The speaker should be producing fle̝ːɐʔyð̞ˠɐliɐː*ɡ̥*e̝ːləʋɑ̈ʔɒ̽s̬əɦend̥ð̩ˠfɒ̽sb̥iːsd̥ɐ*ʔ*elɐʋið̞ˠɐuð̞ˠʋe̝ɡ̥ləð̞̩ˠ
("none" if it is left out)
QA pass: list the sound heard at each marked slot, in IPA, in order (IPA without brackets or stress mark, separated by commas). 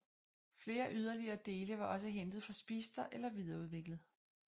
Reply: d̥, ʔ